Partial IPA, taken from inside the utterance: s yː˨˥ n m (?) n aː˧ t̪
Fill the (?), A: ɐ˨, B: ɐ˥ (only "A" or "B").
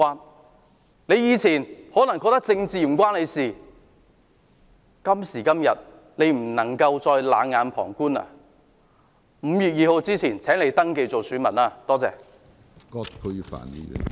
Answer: A